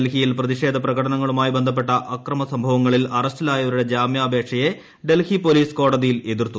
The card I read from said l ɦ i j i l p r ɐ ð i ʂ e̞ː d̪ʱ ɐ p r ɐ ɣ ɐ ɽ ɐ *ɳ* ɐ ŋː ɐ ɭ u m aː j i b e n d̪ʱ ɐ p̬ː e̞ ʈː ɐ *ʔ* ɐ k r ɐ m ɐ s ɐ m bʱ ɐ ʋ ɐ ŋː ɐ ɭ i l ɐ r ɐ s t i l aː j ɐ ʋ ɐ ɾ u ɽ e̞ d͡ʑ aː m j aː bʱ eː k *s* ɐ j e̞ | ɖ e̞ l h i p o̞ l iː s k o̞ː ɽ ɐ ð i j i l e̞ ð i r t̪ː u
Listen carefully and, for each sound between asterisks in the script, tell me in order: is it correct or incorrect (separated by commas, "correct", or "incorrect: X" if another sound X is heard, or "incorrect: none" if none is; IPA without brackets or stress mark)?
incorrect: n, correct, incorrect: ʂ